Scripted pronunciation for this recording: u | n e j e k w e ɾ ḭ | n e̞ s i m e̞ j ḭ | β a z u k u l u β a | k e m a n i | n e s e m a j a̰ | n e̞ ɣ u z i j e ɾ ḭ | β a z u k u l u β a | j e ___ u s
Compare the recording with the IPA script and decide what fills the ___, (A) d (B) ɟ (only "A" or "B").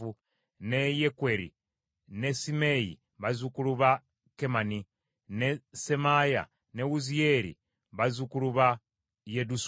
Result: A